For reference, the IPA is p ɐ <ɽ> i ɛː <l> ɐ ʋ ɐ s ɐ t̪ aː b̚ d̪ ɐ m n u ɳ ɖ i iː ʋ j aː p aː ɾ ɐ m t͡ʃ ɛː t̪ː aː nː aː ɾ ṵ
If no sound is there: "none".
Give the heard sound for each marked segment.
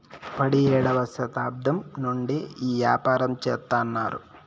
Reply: ɽ, ɽ

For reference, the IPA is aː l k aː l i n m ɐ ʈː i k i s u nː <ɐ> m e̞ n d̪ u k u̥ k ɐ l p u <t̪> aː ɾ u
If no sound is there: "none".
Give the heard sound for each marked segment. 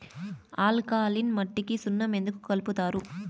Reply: ɐ, t̪

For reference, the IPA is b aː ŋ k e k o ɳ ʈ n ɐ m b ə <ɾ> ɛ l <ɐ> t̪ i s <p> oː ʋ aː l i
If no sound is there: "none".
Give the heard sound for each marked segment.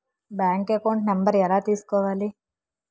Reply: ɾ, a, k

